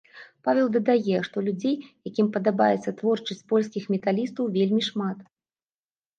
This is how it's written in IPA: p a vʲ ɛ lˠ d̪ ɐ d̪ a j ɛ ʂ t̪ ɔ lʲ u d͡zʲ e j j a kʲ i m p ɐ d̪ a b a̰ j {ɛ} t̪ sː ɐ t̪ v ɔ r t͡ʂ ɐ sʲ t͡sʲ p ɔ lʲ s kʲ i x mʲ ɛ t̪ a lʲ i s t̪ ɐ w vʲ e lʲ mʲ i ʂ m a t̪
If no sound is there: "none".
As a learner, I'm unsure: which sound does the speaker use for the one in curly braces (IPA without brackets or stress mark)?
ɛ